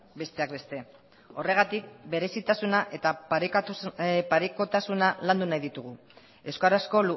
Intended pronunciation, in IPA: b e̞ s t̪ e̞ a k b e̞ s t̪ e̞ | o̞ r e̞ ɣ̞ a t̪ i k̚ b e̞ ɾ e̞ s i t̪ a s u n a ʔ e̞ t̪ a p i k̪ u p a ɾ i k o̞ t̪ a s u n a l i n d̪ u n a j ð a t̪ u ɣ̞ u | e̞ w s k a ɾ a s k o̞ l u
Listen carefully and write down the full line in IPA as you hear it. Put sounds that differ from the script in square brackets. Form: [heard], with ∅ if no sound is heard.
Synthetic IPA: b e̞ s t̪ e̞ a k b e̞ s t̪ e̞ | o̞ r e̞ ɣ̞ a t̪ i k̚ b e̞ ɾ e̞ s i t̪ a s u n a ʔ e̞ t̪ a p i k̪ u p a ɾ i k o̞ t̪ a s u n a l [a] n d̪ u n a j ð [i] t̪ u ɣ̞ u | e̞ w s k a ɾ a s k o̞ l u